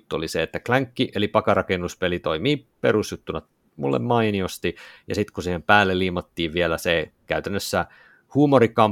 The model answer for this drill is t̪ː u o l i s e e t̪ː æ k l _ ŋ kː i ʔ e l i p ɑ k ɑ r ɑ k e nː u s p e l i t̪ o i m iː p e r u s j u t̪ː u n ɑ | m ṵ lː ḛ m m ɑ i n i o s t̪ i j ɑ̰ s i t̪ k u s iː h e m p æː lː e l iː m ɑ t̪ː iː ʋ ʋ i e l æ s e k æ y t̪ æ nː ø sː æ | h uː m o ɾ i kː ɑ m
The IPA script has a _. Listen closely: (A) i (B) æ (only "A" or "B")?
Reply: B